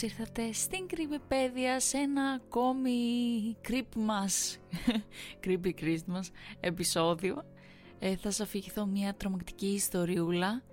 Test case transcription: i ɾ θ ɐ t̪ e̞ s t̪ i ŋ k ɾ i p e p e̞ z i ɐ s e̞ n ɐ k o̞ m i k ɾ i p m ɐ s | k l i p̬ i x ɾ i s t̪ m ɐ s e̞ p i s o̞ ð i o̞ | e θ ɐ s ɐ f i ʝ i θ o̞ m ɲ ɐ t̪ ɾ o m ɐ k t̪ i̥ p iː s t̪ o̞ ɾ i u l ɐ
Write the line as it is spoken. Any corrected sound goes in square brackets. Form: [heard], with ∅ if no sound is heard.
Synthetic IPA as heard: i ɾ θ ɐ t̪ e̞ s t̪ i ŋ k ɾ i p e p e̞ [ð] i ɐ s e̞ n ɐ k o̞ m i k ɾ i p m ɐ s | k [ɾ] i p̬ i [k] ɾ i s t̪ m ɐ s e̞ p i s o̞ ð i o̞ | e θ ɐ s ɐ f i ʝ i θ o̞ m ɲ ɐ t̪ ɾ o m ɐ k t̪ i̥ [c] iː s t̪ o̞ ɾ i u l ɐ